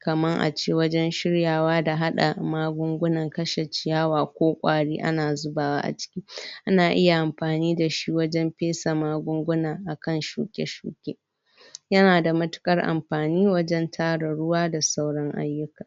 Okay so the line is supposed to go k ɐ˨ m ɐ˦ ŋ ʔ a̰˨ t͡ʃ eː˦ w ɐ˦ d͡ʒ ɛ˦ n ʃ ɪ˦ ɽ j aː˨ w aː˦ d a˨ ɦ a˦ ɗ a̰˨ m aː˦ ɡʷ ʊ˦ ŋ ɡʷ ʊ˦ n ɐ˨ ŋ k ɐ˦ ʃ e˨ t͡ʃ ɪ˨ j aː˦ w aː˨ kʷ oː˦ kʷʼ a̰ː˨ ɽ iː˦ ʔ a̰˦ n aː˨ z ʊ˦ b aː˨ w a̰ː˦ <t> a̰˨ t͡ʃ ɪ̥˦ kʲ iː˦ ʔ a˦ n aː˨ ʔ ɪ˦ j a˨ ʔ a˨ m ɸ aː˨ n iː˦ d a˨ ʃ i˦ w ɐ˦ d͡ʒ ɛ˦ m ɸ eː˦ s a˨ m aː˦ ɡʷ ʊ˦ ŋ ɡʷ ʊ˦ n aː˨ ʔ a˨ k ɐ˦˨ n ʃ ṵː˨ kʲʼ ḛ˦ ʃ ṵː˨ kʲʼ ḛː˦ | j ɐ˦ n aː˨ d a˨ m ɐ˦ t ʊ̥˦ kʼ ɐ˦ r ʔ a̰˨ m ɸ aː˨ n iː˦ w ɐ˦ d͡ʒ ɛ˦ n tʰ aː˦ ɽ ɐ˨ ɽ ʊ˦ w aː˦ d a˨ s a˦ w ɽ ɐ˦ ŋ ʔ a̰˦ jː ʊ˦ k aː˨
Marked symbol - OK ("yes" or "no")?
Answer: no